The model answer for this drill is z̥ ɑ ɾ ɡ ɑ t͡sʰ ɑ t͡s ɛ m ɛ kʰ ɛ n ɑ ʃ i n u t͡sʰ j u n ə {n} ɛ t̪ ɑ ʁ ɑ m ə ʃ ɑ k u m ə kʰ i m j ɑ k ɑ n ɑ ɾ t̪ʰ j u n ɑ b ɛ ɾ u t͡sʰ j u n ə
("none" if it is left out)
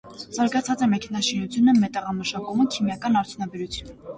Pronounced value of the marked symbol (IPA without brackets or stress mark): m